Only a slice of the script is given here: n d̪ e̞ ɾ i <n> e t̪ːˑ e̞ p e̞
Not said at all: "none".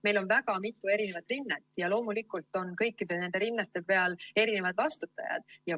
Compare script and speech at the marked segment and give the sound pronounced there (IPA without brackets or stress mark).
nː